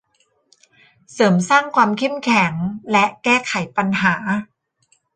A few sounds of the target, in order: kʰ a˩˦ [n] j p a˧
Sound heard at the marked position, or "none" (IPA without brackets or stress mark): none